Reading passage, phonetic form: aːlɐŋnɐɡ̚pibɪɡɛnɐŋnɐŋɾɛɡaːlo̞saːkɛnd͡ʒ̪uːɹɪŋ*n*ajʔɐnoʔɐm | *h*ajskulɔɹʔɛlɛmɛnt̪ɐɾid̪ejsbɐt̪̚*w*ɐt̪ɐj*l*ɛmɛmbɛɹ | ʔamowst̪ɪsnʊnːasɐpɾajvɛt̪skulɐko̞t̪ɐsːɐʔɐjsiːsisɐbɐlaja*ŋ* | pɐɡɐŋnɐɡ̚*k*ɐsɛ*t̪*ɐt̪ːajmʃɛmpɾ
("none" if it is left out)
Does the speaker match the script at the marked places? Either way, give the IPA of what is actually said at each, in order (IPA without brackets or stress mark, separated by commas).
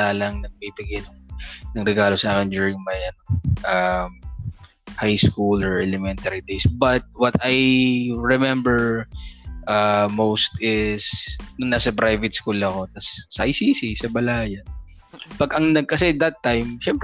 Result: m, h, w, ɹ, n, k, d̪